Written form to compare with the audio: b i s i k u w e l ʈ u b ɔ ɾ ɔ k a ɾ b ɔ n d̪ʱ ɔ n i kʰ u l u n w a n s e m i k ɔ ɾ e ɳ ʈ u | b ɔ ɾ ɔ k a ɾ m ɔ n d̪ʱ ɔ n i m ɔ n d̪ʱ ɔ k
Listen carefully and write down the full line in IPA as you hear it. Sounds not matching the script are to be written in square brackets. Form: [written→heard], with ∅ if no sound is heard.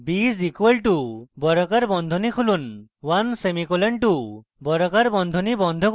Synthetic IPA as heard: b i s i k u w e l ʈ u b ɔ ɾ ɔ k a ɾ b ɔ n d̪ʱ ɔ n i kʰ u l u n w a n s e m i k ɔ [ɾ→l] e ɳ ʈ u | b ɔ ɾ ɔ k a ɾ [m→b] ɔ n d̪ʱ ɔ n i [m→b] ɔ n d̪ʱ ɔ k